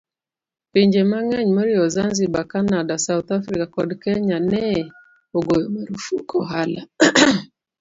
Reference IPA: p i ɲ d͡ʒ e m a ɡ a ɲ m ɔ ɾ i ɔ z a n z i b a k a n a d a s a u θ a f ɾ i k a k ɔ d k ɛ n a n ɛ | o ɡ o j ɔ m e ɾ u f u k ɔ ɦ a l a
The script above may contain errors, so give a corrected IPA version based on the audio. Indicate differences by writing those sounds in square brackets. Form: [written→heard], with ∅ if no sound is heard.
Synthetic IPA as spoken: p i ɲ d͡ʒ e m a [ɡ→ŋ] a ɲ m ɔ ɾ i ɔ z a n z i b a k a n a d a s a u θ a f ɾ i k a k ɔ d k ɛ [n→ɲ] a n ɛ | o ɡ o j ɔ m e ɾ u f u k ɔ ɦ a l a